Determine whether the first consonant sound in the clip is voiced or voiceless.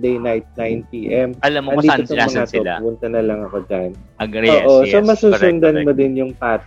voiced